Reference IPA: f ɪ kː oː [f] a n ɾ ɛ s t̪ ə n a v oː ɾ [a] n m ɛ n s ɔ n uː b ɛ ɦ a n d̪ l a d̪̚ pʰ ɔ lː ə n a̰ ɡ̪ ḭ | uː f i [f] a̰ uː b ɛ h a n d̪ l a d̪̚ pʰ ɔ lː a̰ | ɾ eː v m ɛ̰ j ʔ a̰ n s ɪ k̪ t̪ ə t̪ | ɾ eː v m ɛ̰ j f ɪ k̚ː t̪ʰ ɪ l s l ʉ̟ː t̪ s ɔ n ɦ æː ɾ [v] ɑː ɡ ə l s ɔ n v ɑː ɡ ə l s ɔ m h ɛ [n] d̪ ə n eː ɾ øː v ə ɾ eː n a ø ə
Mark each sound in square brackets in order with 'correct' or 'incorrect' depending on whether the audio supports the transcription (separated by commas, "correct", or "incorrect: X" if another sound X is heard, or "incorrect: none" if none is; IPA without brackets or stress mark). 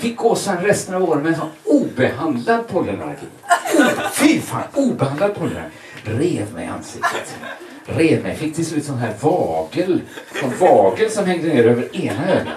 incorrect: s, incorrect: ə, correct, correct, incorrect: ŋ